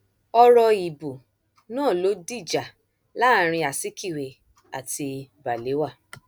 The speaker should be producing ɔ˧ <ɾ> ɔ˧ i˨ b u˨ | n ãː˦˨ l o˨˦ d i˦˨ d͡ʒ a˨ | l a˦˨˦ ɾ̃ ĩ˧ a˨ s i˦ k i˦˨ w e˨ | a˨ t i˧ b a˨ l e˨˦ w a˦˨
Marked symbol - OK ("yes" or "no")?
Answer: yes